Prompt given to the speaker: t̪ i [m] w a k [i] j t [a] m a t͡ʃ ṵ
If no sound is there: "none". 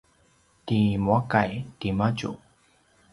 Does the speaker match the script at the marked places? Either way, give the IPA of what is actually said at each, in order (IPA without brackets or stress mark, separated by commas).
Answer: m, a, i